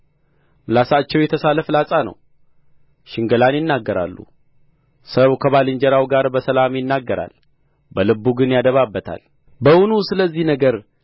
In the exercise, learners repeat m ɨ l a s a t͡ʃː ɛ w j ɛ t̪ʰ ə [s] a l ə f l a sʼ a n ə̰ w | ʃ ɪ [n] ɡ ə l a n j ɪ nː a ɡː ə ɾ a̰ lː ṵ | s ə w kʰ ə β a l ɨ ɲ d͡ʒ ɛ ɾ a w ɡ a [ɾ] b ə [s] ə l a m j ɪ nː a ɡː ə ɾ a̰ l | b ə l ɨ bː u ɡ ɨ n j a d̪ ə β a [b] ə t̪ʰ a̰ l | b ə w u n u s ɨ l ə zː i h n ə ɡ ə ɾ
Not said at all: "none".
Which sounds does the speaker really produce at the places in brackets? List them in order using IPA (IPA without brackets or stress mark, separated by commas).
s, ŋ, ɾ, s, bː